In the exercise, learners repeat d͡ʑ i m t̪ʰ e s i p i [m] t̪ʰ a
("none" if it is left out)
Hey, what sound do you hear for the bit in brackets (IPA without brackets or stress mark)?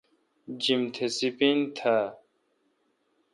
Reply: n